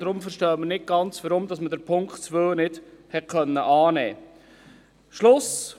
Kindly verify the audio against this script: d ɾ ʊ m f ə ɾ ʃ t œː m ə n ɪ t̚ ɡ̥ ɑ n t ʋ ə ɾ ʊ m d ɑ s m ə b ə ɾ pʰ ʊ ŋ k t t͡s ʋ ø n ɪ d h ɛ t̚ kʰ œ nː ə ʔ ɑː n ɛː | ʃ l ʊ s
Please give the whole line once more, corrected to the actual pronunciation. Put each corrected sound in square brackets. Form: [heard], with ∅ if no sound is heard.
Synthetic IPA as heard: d ɾ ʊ m f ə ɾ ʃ t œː m ə n ɪ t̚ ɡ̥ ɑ n [t͡s] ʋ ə ɾ ʊ m d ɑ s m ə [d] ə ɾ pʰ ʊ ŋ k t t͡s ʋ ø n ɪ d h ɛ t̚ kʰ œ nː ə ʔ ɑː n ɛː | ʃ l ʊ s